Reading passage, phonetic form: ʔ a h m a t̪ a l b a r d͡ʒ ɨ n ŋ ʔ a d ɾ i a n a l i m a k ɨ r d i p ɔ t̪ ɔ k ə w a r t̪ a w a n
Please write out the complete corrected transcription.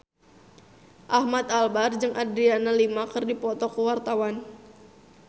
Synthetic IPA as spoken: ʔ a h m a t̪ a l b a r d͡ʒ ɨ ŋ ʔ a d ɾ i a n a l i m a k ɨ r d i p ɔ t̪ ɔ k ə w a r t̪ a w a n